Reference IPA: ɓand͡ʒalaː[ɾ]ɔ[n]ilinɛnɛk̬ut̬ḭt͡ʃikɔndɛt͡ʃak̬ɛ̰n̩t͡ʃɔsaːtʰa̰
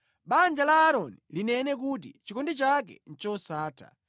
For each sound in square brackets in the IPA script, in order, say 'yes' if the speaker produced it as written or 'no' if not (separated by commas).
yes, yes